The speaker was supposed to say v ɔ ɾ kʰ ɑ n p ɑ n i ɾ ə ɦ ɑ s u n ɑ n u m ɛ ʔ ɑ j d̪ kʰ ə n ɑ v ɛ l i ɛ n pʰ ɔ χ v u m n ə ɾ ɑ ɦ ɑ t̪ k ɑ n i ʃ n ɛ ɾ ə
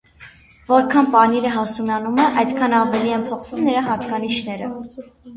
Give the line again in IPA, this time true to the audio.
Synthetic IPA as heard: v ɔ ɾ kʰ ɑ n p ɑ n i ɾ ə ɦ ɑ s u n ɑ n u m ɛ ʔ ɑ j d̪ kʰ ɑ n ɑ v ɛ l i ɛ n pʰ ɔ χ v u m n ə ɾ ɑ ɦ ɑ t̪ k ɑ n i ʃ n ɛ ɾ ə